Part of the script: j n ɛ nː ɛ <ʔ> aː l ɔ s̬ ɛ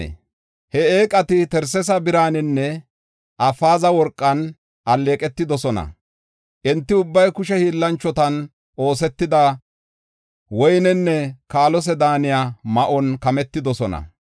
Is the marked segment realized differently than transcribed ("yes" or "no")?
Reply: yes